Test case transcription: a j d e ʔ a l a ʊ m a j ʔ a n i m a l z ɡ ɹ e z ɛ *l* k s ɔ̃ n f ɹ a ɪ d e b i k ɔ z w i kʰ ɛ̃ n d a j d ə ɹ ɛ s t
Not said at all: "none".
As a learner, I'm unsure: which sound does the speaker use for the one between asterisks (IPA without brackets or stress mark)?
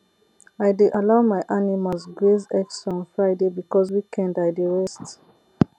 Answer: none